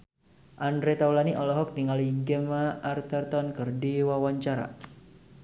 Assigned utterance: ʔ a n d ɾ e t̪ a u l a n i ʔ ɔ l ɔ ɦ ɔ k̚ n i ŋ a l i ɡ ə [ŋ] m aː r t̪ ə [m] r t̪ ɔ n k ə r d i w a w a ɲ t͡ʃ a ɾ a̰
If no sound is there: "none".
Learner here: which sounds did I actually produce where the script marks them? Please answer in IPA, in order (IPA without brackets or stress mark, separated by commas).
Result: none, none